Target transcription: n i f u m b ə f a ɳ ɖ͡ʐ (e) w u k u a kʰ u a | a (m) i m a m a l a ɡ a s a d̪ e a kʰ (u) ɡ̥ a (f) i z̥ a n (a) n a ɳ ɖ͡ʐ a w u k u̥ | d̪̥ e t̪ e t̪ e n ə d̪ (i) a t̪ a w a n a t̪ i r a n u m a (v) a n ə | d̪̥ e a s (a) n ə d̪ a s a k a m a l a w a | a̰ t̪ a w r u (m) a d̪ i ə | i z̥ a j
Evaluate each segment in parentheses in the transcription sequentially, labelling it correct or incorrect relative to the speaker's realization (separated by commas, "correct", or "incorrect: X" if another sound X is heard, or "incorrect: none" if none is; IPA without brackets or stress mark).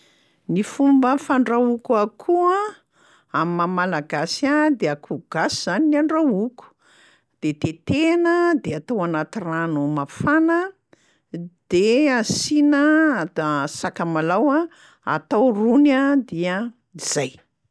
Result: incorrect: a, correct, correct, incorrect: s, incorrect: i, incorrect: e, incorrect: f, incorrect: i, incorrect: n